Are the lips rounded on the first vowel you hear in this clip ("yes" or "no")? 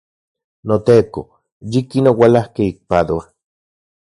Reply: yes